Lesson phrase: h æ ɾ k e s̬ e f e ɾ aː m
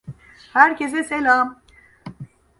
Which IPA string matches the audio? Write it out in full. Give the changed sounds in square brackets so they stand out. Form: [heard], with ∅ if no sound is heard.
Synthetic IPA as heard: h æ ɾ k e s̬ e [s] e [l] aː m